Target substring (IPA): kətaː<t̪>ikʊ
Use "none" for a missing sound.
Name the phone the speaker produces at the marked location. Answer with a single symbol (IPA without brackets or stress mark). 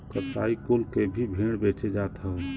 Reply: none